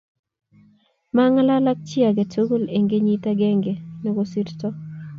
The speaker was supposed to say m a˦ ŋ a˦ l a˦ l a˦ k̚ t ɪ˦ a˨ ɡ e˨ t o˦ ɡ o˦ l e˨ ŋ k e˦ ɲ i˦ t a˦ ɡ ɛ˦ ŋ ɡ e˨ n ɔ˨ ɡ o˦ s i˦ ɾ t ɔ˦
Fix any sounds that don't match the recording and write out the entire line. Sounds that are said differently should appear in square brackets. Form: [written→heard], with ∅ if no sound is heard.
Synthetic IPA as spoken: m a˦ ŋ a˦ l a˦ l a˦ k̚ [t→t͡ʃ] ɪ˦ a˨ ɡ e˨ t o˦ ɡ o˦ l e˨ ŋ [k→ɡ] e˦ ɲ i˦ t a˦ ɡ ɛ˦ ŋ ɡ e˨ n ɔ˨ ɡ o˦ s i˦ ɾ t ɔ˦